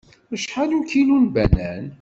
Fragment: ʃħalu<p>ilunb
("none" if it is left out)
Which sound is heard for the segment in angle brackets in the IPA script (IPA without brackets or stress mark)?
k